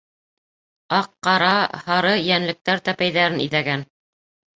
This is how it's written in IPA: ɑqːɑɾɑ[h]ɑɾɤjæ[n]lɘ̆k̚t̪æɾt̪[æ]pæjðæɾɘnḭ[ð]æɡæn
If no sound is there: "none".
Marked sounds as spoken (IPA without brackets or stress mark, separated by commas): h, n, æ, ð